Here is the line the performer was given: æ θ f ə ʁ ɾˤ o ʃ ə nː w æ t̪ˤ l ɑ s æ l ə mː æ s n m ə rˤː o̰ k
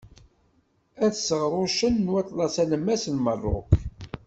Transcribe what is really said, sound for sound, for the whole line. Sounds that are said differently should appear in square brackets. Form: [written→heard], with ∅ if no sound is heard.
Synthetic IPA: æ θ [f→s] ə ʁ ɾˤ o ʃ ə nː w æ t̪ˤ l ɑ s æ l ə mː æ s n m ə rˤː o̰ k